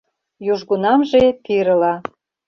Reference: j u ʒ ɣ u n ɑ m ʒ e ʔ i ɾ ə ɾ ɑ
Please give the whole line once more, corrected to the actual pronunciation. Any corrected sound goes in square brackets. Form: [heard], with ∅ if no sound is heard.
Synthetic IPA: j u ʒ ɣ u n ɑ m ʒ e [p] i ɾ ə [l] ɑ